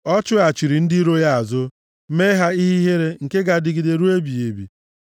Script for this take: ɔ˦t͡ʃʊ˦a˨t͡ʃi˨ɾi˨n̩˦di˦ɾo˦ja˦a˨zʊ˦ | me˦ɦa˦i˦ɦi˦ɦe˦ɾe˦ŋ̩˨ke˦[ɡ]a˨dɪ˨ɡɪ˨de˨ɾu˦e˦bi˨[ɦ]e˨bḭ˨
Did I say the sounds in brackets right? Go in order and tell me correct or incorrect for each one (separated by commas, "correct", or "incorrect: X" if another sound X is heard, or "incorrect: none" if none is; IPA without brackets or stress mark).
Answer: correct, incorrect: none